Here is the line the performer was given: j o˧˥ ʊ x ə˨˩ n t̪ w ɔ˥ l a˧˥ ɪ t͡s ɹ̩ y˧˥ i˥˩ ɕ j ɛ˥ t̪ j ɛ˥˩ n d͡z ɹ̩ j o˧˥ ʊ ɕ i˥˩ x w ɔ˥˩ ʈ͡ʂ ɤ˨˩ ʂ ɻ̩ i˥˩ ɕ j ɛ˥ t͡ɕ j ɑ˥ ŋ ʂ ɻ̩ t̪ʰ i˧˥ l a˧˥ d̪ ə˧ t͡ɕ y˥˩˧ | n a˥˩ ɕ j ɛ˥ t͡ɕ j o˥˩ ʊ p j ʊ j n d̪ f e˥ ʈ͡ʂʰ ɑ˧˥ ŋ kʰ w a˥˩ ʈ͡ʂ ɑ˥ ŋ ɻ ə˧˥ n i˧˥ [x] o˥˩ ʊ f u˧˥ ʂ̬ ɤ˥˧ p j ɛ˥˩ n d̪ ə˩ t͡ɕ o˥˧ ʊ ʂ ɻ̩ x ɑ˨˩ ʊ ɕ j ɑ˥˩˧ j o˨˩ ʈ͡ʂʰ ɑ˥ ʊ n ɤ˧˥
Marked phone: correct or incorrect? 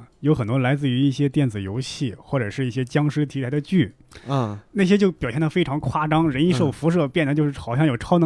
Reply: incorrect